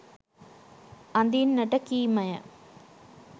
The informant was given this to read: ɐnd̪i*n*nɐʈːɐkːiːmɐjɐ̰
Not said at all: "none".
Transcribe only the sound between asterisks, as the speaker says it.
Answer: n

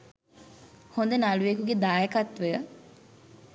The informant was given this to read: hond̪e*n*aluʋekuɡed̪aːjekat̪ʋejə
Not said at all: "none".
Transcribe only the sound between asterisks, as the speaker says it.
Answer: n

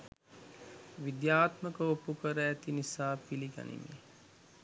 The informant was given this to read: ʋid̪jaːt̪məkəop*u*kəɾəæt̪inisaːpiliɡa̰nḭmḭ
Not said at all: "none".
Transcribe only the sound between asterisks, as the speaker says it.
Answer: u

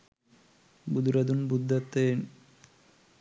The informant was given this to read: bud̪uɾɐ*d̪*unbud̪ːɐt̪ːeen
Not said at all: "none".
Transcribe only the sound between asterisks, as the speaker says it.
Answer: d̪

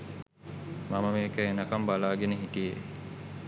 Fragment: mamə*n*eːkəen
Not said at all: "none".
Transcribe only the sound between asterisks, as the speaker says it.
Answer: m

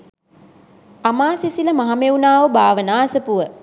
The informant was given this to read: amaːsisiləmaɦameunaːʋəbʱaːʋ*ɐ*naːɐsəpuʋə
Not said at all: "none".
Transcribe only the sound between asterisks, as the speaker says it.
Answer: ə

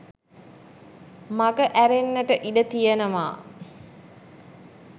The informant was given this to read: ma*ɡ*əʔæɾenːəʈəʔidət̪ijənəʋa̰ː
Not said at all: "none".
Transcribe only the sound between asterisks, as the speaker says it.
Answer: ɡ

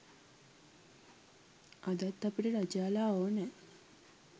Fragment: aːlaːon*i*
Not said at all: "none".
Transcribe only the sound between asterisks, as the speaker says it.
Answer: ɛ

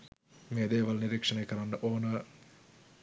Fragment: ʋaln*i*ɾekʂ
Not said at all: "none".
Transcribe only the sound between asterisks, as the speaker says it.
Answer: i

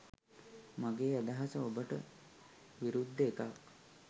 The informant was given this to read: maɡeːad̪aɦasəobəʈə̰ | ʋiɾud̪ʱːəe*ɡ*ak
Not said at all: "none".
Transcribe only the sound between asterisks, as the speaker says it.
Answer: k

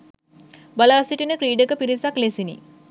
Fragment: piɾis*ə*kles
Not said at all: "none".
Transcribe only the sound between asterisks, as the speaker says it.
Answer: a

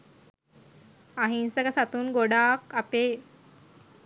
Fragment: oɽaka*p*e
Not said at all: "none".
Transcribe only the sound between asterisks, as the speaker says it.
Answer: p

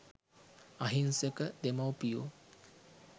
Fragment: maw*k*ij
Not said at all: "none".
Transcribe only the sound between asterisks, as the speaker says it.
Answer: p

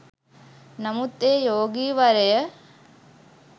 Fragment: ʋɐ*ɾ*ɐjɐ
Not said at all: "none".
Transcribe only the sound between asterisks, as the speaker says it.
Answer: ɾ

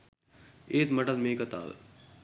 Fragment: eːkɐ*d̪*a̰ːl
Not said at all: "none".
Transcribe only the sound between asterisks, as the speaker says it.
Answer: t̪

